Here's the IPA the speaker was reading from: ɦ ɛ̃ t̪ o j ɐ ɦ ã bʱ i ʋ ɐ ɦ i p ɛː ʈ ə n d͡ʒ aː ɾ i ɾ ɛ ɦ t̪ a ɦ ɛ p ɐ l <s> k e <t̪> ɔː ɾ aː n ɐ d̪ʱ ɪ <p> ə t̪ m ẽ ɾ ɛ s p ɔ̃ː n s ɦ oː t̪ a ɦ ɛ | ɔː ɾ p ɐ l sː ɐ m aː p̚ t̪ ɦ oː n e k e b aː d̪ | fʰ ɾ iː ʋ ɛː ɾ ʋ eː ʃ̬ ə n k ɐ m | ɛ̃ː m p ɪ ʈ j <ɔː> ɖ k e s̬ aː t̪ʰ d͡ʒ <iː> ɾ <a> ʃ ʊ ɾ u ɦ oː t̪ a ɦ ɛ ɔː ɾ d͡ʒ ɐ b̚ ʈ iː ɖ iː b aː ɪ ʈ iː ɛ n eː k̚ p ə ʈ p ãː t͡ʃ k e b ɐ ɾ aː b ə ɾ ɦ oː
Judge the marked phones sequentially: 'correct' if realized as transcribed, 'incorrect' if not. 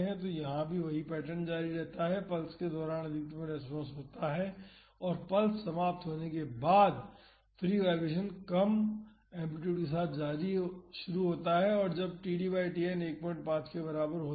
correct, incorrect, incorrect, incorrect, incorrect, incorrect

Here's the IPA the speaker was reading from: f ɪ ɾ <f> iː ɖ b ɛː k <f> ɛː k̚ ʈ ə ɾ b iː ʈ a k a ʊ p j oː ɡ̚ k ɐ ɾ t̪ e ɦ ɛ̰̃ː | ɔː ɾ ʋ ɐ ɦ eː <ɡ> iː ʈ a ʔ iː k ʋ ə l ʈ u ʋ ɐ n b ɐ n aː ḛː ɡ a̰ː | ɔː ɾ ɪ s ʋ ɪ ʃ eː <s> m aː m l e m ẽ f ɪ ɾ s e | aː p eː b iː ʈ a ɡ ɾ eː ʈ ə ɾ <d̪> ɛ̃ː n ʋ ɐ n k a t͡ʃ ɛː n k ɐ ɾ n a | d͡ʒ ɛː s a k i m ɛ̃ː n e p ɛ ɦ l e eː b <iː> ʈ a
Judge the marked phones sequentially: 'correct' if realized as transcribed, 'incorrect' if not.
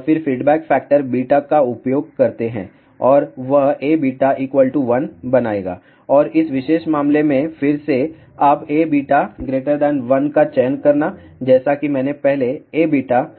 correct, correct, incorrect, incorrect, correct, correct

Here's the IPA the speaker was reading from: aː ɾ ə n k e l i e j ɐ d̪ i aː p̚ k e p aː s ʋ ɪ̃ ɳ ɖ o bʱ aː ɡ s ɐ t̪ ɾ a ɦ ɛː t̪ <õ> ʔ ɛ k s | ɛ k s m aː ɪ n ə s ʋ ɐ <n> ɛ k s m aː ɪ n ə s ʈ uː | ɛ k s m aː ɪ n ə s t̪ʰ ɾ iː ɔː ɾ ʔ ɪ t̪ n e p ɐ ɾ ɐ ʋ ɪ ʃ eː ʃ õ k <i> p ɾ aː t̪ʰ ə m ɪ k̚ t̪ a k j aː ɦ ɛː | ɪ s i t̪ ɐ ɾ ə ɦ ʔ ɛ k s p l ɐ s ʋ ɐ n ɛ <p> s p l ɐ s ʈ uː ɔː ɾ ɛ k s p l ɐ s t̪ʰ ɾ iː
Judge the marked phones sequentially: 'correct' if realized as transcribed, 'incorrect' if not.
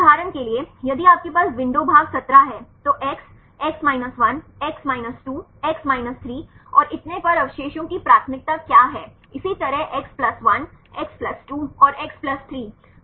incorrect, correct, correct, incorrect

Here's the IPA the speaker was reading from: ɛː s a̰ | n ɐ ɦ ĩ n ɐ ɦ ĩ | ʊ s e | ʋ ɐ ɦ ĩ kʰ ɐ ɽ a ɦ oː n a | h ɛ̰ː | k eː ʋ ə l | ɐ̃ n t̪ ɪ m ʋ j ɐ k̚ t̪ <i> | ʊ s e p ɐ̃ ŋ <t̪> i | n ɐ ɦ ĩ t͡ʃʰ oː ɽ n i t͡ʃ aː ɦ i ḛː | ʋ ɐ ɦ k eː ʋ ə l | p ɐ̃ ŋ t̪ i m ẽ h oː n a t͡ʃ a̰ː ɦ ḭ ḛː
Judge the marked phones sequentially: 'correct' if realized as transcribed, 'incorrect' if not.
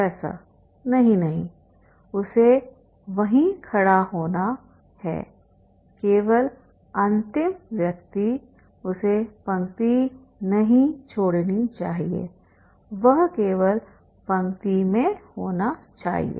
correct, correct

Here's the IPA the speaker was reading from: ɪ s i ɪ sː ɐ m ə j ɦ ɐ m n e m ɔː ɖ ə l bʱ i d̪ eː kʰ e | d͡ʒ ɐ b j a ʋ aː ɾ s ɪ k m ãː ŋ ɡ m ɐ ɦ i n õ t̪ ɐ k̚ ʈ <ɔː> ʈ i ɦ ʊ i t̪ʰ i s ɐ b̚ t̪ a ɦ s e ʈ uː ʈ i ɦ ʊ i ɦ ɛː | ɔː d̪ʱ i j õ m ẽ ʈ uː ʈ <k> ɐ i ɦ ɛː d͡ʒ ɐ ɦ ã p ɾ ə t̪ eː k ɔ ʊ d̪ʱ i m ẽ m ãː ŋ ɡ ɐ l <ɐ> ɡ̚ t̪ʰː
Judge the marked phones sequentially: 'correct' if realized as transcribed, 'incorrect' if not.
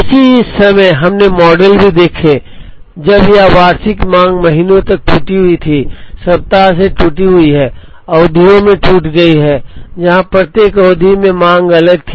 incorrect, incorrect, incorrect

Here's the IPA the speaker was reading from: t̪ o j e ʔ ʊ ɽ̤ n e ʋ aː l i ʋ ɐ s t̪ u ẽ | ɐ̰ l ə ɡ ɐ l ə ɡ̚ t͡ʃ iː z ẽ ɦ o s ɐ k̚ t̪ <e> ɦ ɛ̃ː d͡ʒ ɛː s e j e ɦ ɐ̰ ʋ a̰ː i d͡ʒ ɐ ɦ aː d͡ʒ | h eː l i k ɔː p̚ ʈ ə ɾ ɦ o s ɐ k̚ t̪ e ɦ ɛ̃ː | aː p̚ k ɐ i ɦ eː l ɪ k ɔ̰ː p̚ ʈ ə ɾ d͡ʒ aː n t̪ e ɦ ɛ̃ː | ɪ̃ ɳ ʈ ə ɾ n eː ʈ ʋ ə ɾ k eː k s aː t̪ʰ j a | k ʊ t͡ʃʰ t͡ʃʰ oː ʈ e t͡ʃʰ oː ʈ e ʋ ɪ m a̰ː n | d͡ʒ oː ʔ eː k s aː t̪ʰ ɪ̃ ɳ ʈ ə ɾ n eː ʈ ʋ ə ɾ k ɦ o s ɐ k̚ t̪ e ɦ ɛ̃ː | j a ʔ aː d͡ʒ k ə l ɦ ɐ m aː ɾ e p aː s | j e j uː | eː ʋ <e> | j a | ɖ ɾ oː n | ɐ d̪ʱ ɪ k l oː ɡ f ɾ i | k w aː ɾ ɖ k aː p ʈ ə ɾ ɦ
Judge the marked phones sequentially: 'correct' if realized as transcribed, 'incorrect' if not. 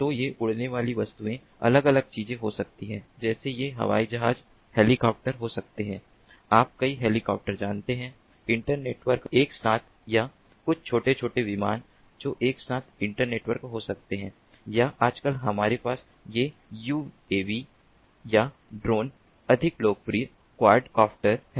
incorrect, incorrect

